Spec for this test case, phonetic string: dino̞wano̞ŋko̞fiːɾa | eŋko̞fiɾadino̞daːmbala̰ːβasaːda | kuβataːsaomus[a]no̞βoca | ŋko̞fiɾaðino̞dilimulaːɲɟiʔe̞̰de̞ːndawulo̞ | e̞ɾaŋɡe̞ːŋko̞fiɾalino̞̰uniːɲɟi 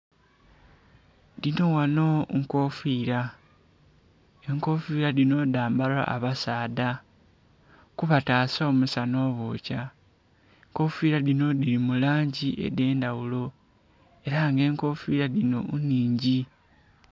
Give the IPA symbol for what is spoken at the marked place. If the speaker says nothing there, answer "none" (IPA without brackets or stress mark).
a